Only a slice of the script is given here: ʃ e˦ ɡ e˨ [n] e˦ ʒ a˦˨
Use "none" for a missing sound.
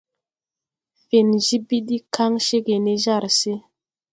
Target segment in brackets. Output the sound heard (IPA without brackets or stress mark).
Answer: n